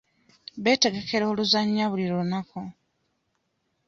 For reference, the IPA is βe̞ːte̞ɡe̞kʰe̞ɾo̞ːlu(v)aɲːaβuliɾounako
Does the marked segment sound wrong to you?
yes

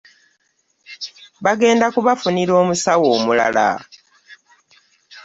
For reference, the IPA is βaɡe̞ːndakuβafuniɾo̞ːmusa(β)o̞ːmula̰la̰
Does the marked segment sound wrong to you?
yes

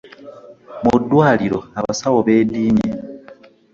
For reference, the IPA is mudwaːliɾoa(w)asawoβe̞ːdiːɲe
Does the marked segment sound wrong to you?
yes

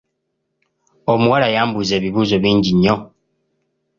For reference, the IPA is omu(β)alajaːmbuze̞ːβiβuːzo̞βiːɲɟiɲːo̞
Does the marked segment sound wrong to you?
yes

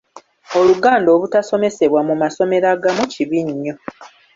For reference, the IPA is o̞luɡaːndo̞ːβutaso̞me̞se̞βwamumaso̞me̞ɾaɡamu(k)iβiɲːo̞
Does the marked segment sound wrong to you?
yes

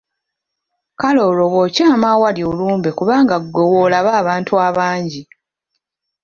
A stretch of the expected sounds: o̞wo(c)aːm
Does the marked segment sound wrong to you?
no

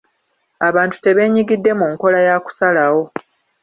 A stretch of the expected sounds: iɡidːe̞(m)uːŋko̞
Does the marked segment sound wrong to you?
no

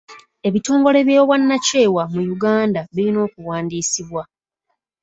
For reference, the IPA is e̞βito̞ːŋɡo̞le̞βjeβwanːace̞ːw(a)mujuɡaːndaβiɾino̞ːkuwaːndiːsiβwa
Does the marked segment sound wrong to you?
no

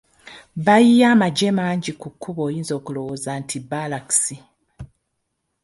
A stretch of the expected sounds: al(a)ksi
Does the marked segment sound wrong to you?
no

